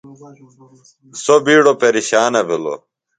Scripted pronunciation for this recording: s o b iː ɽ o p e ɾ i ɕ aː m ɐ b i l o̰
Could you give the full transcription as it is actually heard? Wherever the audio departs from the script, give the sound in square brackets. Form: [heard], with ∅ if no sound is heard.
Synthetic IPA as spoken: s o b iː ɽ o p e ɾ i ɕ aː [n] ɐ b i l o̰